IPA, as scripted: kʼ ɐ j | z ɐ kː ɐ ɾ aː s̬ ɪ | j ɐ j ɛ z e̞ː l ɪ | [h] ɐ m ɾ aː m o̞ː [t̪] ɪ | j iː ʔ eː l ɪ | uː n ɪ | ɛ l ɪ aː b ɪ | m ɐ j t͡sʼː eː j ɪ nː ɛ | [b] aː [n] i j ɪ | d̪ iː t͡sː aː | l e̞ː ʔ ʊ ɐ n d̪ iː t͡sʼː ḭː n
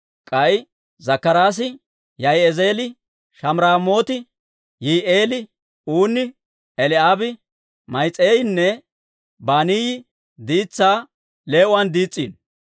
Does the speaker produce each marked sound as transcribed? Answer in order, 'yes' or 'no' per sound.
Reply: no, yes, yes, yes

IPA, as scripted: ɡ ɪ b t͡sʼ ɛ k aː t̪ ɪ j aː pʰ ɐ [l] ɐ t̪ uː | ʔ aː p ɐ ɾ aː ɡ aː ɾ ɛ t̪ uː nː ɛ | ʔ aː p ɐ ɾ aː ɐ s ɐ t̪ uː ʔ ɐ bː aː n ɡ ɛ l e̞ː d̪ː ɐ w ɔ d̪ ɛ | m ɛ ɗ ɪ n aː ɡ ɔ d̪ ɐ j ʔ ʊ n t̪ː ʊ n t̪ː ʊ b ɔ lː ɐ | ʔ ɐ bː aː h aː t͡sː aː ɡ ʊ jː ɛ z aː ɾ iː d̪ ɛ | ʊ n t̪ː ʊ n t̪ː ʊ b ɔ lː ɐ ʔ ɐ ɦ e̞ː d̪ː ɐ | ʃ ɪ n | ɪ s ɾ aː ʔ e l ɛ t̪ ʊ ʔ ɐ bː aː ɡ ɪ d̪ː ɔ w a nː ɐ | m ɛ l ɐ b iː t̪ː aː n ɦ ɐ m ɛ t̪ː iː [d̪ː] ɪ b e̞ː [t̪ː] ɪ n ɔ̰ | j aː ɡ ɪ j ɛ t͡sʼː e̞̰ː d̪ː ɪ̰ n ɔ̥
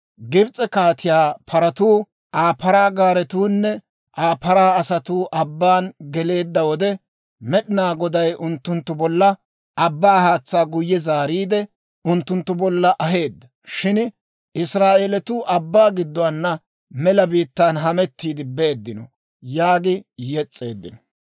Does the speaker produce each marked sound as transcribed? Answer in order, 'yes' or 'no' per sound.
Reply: no, no, no

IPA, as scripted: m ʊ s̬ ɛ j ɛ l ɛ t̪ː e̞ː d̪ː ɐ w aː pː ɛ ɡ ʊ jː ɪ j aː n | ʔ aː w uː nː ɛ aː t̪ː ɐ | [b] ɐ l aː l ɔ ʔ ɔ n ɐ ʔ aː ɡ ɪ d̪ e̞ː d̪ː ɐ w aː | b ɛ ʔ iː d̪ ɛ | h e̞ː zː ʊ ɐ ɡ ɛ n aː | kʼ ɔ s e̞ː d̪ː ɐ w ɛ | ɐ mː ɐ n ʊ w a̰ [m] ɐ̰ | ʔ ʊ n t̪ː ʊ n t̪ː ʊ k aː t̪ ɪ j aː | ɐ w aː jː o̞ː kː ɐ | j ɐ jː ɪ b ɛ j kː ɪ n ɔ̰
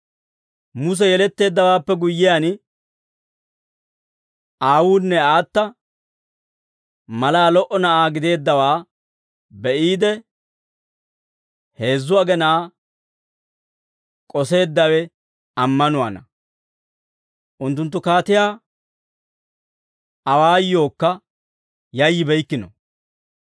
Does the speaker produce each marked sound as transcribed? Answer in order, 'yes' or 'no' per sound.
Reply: no, no

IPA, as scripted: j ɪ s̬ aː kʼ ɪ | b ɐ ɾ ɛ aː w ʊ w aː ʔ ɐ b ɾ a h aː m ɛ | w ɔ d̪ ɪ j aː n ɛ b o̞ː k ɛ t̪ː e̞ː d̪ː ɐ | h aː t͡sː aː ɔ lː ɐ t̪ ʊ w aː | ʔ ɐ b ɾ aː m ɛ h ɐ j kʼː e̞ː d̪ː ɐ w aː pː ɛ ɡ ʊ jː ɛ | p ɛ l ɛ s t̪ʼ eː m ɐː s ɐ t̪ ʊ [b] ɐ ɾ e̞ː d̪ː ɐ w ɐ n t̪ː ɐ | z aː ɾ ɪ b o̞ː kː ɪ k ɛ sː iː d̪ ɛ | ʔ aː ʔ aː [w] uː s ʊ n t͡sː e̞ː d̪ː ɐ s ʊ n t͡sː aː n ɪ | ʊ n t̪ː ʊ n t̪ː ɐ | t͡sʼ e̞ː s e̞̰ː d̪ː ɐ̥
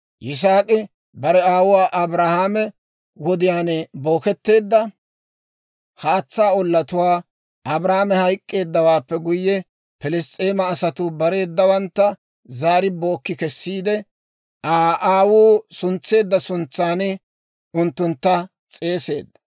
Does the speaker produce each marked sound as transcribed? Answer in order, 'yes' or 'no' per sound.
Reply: yes, yes

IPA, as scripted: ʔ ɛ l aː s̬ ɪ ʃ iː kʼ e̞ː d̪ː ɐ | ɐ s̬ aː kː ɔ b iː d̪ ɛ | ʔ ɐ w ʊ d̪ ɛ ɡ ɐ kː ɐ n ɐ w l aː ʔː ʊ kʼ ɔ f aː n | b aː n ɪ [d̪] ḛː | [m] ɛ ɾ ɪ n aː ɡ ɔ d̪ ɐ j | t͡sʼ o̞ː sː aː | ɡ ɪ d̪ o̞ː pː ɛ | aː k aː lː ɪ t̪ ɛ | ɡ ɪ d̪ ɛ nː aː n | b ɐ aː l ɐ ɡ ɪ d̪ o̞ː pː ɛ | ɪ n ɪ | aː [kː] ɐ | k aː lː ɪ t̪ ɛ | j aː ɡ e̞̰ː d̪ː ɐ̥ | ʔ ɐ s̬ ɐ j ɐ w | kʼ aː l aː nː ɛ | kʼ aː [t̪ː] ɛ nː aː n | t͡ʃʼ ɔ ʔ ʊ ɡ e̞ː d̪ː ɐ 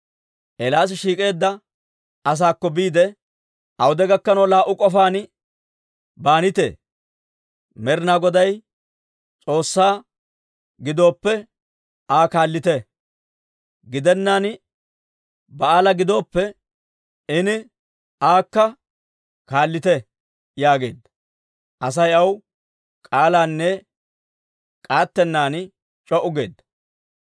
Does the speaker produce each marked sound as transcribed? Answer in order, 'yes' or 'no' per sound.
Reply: no, yes, yes, yes

